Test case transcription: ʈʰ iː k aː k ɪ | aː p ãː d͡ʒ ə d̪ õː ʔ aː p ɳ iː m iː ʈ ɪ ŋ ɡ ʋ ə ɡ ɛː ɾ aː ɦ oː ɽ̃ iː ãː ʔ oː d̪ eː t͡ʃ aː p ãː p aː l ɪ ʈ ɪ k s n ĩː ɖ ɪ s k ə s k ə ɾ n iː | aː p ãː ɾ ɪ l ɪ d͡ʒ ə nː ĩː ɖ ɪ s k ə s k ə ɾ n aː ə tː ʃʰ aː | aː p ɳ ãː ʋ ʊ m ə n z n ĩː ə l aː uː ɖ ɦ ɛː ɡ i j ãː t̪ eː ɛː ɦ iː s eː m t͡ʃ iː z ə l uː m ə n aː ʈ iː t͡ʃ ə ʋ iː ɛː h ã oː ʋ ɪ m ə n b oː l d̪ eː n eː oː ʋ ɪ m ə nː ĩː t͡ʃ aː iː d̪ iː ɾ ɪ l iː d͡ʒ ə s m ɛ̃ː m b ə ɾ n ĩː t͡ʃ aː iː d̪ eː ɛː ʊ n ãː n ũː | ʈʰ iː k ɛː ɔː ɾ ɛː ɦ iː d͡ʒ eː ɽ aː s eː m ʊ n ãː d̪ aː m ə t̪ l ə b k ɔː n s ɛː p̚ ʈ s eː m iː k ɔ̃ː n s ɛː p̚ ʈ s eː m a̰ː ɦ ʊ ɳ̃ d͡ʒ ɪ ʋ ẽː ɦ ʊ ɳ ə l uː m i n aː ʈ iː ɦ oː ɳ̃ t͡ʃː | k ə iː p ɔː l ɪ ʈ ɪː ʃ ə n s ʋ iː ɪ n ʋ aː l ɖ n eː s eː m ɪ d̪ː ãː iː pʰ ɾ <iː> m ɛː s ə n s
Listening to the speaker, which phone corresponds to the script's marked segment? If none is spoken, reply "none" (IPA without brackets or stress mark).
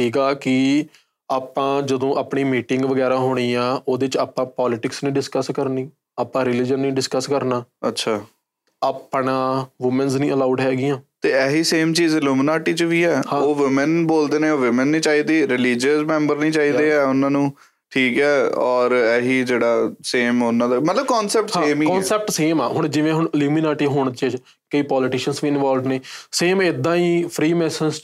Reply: iː